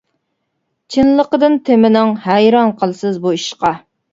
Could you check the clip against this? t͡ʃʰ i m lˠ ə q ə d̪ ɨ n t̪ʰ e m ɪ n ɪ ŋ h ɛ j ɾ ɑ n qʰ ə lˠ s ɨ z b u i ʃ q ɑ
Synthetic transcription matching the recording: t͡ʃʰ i n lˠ ə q ə d̪ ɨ n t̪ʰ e m ɪ n ɪ ŋ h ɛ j ɾ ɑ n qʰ ə lˠ s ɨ z b u i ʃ q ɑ